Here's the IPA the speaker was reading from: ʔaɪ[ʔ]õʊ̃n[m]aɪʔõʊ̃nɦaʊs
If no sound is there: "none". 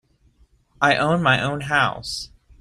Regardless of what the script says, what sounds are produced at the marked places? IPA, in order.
ʔ, m

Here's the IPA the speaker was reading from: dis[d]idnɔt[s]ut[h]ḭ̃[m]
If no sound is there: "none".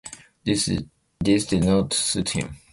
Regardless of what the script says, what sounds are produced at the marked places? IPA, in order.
d, s, h, m

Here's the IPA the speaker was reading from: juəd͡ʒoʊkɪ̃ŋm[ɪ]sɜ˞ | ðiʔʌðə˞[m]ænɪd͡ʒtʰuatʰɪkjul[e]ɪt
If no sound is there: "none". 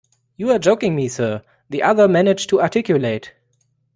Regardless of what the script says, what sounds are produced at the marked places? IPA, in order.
i, m, e

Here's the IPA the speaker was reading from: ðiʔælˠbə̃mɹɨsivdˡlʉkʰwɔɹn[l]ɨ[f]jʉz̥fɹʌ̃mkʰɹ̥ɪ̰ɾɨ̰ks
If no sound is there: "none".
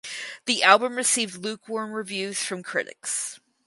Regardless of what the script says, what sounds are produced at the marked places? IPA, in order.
ɹ, v

